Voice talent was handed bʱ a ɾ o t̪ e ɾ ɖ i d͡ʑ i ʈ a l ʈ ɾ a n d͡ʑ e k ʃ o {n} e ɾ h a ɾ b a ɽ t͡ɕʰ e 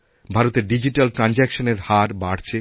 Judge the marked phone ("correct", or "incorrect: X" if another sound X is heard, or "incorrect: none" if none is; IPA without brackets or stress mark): correct